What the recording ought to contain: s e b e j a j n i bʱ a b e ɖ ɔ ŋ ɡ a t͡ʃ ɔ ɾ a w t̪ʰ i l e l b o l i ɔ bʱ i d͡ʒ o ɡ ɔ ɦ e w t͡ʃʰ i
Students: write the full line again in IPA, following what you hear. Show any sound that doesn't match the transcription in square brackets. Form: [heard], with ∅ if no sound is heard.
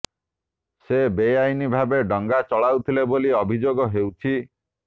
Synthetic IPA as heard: s e b e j a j n i bʱ a b e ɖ ɔ ŋ ɡ a t͡ʃ ɔ [ɭ] a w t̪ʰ i l e [∅] b o l i ɔ bʱ i d͡ʒ o ɡ ɔ ɦ e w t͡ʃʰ i